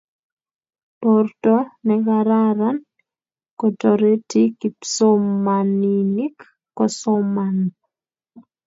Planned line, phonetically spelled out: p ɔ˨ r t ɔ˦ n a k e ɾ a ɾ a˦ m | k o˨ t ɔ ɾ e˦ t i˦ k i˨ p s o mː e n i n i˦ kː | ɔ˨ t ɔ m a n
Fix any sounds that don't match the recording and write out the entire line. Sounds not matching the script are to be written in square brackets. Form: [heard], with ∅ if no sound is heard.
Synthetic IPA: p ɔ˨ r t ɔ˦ n [ɛ] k [a] ɾ a ɾ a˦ [n] | k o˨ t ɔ ɾ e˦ t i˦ k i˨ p s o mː [a] n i n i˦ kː | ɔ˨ [s] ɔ m a n